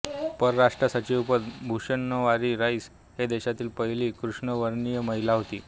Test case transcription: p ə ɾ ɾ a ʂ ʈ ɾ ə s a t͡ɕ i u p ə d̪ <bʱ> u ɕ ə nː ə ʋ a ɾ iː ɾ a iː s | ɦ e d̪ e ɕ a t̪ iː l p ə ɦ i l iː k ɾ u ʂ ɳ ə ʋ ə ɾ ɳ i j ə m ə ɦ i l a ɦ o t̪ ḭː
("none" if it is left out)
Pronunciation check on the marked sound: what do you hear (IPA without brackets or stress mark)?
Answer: bʱ